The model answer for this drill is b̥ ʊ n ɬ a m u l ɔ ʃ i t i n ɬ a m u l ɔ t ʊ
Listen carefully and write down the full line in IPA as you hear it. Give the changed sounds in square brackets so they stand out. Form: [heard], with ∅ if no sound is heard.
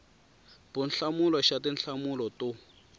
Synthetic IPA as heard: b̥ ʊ n ɬ a m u l ɔ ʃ [a] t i n ɬ a m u l ɔ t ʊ